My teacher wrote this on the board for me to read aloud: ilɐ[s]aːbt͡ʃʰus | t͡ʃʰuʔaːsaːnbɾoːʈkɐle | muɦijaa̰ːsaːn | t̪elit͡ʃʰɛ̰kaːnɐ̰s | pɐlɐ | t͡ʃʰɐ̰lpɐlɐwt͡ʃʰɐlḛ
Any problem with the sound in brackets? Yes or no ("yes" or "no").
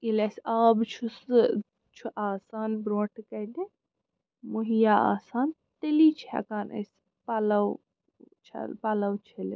no